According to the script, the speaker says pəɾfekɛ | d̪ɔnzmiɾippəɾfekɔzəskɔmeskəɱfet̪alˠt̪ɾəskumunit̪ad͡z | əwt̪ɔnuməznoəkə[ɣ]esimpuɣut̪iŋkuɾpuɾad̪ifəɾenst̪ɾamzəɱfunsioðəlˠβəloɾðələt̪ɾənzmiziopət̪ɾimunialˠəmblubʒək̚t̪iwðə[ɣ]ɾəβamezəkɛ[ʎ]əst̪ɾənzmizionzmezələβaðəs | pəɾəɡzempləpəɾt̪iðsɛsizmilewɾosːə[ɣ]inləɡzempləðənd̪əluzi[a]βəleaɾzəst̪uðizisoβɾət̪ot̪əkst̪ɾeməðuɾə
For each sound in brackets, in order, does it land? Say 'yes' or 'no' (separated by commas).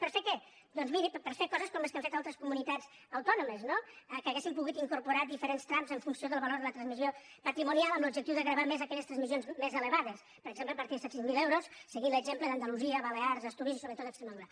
yes, yes, yes, yes, no